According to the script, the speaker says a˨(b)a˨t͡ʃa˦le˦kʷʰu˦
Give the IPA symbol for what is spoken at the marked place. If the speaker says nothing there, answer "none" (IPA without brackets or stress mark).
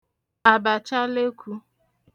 b